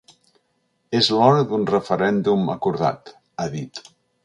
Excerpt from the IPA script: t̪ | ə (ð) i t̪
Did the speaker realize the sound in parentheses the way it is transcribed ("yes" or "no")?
yes